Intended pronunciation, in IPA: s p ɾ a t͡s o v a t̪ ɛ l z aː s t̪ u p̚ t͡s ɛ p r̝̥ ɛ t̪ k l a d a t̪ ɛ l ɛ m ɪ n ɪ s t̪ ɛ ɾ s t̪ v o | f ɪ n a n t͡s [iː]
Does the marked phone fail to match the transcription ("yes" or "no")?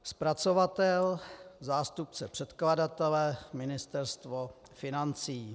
no